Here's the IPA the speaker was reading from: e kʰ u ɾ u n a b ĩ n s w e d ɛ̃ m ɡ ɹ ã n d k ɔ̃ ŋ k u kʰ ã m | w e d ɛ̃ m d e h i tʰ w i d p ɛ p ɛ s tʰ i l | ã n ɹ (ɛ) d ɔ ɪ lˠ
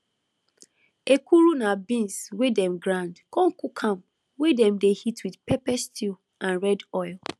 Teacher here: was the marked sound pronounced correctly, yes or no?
yes